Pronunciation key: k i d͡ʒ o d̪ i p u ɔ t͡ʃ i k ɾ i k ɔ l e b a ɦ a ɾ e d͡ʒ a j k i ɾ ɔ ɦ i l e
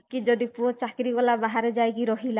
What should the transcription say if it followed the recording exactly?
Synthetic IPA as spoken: k i d͡ʒ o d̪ i p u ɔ t͡ʃ a k ɾ i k ɔ l a b a ɦ a ɾ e d͡ʒ a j k i ɾ ɔ ɦ i l a